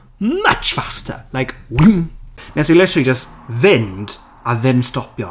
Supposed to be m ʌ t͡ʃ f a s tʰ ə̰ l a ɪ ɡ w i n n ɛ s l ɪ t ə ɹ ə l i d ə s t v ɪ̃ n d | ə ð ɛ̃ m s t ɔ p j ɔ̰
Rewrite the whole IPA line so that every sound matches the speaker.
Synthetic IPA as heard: m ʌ t͡ʃ f a s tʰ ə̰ l a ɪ k w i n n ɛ s l ɪ t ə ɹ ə l i d͡ʒ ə s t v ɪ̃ n d | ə ð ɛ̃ m s t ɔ p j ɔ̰